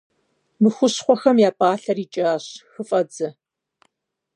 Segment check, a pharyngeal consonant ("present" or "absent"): absent